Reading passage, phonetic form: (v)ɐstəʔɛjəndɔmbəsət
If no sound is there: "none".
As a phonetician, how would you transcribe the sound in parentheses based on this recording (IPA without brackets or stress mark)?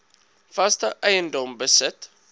f